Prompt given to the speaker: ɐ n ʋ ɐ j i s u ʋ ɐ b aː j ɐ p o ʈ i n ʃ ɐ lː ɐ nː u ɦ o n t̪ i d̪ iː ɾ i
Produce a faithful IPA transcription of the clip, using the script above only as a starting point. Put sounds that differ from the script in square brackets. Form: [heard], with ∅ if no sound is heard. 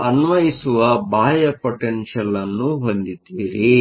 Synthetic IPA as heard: ɐ n ʋ ɐ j i s u ʋ ɐ b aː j ɐ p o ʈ [e] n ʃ ɐ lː ɐ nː u ɦ o n [d̪] i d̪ iː ɾ i